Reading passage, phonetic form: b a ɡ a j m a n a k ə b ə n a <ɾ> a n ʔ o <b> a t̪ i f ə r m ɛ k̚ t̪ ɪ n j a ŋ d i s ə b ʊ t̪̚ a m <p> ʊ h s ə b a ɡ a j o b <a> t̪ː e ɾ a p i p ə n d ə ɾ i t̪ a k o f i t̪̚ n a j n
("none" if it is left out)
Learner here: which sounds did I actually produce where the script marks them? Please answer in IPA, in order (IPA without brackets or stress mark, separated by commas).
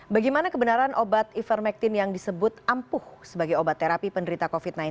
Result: ɾ, b, p, a